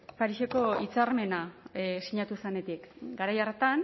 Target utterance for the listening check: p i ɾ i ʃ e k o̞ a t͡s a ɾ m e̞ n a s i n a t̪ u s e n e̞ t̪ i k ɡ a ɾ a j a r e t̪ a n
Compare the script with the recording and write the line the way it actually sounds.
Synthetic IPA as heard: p a ɾ i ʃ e k o̞ i t͡s a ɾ m e̞ n a s i ɲ a t̪ u s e n e̞ t̪ i k ɡ a ɾ a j a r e t̪ a n